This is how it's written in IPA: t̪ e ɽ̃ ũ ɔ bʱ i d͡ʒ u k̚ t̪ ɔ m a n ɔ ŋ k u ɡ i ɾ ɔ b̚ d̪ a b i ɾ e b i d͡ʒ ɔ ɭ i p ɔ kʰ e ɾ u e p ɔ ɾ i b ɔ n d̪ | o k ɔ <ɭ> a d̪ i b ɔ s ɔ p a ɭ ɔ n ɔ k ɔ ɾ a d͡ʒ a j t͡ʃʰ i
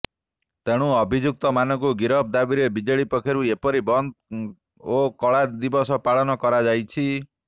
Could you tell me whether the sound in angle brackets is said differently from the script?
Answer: no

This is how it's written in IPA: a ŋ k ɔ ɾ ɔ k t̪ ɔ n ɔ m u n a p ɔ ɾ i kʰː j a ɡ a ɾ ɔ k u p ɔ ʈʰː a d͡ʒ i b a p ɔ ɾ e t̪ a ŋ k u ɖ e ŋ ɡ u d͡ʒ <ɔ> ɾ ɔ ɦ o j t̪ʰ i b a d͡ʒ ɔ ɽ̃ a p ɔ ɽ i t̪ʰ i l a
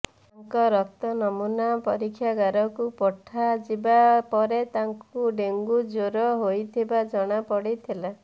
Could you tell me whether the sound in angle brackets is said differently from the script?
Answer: yes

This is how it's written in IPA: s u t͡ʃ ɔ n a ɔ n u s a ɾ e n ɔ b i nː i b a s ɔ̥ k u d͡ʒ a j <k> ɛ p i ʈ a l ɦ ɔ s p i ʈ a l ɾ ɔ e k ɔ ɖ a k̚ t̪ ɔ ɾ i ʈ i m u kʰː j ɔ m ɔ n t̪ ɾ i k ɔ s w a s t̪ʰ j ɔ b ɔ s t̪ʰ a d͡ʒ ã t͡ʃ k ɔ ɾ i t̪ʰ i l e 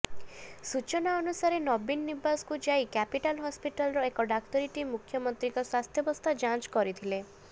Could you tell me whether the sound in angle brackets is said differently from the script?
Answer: no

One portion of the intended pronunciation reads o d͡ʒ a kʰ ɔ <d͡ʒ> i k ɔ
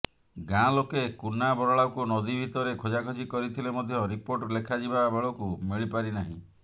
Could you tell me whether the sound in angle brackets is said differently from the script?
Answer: no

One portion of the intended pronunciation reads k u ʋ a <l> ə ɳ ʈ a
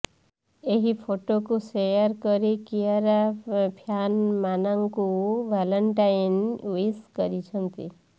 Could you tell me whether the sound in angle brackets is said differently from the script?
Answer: no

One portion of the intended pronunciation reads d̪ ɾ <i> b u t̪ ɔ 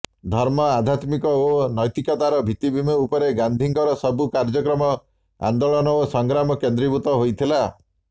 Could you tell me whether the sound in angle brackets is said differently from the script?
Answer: no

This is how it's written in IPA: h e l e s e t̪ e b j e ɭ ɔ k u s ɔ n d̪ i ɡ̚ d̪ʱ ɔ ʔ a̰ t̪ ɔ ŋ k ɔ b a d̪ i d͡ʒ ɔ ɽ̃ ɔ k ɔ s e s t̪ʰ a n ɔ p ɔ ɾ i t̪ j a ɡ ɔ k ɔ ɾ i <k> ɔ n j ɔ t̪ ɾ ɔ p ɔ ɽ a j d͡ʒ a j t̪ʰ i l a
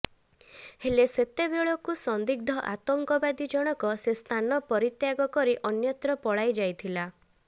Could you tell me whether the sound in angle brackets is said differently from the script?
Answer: yes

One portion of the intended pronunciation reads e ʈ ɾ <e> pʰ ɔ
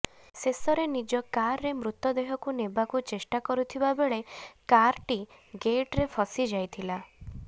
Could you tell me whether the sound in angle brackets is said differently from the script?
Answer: no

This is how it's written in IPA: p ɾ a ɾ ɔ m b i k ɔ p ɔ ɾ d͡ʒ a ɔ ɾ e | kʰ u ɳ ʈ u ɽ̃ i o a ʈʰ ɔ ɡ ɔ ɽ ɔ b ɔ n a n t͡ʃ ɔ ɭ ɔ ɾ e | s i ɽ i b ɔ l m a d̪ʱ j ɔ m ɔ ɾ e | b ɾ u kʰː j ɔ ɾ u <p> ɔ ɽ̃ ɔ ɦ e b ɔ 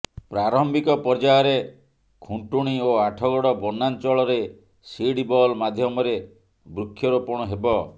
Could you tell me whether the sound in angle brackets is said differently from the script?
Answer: no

